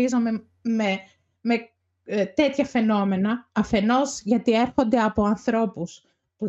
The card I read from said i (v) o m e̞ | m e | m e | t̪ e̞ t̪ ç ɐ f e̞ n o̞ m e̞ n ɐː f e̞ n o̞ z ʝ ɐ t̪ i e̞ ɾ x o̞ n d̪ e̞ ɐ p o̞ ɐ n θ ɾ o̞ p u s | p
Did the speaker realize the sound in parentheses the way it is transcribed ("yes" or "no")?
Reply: no